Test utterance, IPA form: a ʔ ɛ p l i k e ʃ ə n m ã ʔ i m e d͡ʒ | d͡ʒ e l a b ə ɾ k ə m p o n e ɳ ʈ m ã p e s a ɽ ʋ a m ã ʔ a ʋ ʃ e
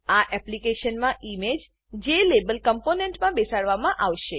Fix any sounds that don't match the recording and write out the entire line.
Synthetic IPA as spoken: a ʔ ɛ p l i k e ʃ ə n m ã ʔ i m e d͡ʒ | d͡ʒ e l e b ə l k ə m p o n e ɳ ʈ m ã b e s a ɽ ʋ a m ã ʔ a ʋ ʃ e